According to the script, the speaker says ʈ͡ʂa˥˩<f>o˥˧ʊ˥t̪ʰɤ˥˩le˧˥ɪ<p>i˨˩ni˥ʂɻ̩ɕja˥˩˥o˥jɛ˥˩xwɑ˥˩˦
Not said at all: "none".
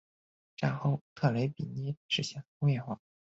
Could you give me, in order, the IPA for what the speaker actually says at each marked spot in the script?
x, p

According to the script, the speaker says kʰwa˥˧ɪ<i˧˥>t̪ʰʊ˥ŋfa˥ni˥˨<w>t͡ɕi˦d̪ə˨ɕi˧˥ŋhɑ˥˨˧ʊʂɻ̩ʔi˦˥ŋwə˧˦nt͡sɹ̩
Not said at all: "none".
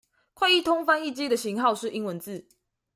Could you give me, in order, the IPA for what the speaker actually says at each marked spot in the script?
i˥˨, none

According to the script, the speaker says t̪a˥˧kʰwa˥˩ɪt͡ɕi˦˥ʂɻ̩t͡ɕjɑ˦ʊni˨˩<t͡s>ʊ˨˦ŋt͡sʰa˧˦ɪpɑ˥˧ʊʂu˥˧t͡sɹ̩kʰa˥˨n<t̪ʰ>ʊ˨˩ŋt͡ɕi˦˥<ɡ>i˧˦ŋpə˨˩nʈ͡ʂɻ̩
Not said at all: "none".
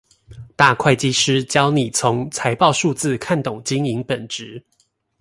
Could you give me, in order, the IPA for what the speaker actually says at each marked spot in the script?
t͡sʰ, t̪, ŋ

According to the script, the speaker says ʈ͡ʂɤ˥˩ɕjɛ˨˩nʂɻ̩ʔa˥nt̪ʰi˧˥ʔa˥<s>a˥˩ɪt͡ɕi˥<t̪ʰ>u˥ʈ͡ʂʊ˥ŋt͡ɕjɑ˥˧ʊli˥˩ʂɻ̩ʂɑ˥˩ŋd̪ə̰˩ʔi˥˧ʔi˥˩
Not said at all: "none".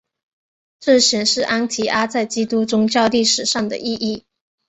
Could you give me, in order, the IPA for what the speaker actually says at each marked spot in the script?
t͡s, t̪

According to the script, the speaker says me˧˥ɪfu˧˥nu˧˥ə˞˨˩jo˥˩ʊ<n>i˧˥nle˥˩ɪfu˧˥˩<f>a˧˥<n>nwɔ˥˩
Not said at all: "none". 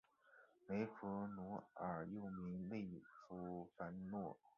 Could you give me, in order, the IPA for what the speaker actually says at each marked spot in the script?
m, f, n

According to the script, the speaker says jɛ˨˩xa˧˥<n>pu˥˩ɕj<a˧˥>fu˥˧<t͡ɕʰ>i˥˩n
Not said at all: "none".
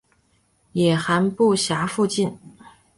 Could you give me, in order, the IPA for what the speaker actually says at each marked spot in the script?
n, a˧˥, t͡ɕ

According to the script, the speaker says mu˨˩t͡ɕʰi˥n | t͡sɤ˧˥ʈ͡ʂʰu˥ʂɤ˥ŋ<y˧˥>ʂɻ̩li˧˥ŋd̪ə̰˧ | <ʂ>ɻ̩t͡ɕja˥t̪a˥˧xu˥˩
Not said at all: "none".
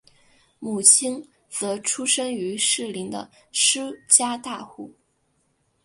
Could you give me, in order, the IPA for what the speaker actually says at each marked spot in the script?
y˧˥, ʂ

